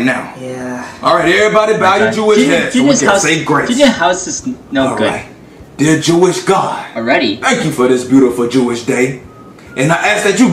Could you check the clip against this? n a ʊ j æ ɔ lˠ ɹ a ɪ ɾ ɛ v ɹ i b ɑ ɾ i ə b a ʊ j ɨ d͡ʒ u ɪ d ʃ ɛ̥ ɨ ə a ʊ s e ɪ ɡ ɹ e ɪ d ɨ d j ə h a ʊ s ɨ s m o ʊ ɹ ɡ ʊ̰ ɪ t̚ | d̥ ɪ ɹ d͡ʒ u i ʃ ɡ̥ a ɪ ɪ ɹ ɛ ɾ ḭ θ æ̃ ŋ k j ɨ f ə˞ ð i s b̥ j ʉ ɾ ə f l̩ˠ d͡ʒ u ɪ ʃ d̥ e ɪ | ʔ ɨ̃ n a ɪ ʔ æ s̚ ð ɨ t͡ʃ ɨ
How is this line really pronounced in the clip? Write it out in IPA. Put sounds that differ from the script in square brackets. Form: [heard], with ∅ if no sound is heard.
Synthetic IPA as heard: n a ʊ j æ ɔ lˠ ɹ a ɪ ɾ ɛ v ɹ i b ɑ ɾ i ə b a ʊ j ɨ d͡ʒ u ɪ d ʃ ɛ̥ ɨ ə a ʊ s e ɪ ɡ ɹ e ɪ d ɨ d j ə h a ʊ s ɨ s [n] o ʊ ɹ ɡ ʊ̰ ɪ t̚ | d̥ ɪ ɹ d͡ʒ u [ɪ] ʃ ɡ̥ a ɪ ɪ ɹ ɛ ɾ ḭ θ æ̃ ŋ k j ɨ f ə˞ ð [ɪ] s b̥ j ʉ ɾ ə f l̩ˠ d͡ʒ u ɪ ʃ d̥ e ɪ | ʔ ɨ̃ n a ɪ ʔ æ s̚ ð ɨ t͡ʃ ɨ